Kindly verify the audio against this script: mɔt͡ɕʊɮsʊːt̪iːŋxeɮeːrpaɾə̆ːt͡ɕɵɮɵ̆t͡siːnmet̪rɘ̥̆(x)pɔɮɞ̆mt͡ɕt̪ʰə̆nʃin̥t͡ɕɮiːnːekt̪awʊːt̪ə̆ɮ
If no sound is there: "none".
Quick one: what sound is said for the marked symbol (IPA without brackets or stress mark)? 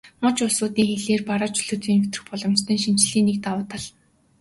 x